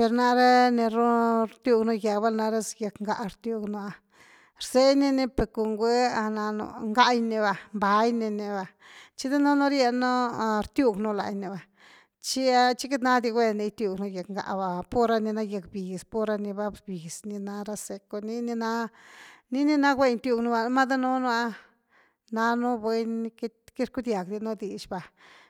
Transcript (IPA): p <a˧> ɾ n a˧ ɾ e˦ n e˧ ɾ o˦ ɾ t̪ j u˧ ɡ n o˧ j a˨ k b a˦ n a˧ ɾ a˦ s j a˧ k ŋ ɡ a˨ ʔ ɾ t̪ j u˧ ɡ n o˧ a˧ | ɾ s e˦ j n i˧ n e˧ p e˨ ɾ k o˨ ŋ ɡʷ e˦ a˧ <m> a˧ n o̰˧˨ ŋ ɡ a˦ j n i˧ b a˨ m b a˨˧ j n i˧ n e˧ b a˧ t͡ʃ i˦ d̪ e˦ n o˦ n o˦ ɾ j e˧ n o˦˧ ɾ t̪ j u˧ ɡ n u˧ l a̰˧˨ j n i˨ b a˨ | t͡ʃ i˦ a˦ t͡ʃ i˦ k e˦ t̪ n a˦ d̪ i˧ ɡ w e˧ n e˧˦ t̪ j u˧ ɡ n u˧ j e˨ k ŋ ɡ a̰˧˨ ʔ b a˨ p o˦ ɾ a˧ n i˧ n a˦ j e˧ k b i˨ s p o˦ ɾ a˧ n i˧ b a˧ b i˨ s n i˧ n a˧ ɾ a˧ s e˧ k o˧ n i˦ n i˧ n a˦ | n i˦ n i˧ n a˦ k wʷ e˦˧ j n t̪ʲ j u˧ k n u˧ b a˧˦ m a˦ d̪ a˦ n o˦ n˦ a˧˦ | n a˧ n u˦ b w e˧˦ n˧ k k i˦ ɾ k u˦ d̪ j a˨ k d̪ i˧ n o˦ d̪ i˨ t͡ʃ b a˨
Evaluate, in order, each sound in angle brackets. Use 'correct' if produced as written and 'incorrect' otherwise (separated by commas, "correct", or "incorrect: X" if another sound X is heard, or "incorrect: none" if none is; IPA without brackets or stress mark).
incorrect: e˧, incorrect: n